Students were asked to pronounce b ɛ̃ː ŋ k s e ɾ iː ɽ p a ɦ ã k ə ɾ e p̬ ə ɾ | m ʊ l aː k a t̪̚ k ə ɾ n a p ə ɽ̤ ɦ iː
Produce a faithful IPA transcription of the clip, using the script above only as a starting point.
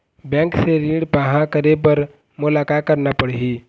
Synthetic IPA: b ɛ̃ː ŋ k s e ɾ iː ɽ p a ɦ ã k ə ɾ e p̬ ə ɾ | m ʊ l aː k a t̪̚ k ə ɾ n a p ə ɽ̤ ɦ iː

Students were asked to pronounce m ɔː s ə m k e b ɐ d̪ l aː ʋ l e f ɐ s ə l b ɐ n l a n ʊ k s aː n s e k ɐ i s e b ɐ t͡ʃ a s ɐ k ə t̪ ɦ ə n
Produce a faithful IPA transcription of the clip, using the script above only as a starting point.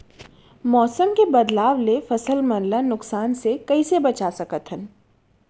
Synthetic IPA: m ɔː s ə m k e b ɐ d̪ l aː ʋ l e f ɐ s ə l m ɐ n l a n ʊ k s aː n s e k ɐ i s e b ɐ t͡ʃ a s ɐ k ə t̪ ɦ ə n

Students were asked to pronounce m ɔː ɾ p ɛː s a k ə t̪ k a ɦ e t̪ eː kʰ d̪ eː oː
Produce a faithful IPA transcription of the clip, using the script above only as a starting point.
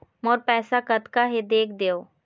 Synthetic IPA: m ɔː ɾ p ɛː s a k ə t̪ k a ɦ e d̪ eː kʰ d̪ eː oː

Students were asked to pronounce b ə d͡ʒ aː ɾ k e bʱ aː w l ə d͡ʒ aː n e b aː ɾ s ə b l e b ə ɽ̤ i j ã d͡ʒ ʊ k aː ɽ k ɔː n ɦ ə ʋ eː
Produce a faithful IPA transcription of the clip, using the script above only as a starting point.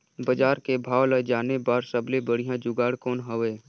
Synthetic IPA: b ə d͡ʒ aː ɾ k e bʱ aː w l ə d͡ʒ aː n e b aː ɾ s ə b l e b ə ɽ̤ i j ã d͡ʒ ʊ ɡ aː ɽ k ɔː n ɦ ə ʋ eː

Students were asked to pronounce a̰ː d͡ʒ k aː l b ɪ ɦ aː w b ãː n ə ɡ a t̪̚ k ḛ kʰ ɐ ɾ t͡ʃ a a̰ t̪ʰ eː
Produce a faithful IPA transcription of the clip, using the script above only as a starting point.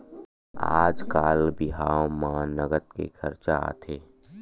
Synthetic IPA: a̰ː d͡ʒ k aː l b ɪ ɦ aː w m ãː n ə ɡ ə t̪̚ k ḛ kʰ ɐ ɾ t͡ʃ a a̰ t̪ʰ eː

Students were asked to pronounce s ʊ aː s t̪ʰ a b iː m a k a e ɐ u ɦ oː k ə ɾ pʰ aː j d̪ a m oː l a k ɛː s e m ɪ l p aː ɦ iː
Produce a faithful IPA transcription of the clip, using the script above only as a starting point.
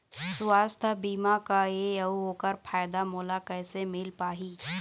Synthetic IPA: s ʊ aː s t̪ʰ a b iː m a k a e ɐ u ɦ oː k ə ɾ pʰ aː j d̪ a m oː l a k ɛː s e m ɪ l p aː ɦ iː

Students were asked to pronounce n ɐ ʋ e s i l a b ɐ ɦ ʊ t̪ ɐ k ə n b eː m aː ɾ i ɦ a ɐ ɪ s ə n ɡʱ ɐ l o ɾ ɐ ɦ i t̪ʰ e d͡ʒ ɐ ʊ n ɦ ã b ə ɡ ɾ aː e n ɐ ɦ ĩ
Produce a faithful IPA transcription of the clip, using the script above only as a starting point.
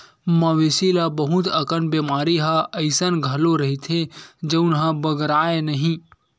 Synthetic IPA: m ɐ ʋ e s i l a b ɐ ɦ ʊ t̪ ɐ k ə n b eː m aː ɾ i ɦ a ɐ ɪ s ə n ɡʱ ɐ l o ɾ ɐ ɦ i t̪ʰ e d͡ʒ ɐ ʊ n ɦ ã b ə ɡ ɾ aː e n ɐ ɦ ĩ

